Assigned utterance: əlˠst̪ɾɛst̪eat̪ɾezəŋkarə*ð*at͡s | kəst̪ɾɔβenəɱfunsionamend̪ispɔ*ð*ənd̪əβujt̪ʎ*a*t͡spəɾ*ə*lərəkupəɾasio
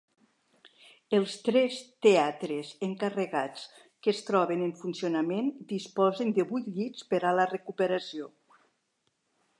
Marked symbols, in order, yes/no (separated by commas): no, no, no, no